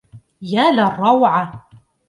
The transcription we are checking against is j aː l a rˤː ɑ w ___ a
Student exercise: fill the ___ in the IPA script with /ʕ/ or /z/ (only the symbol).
ʕ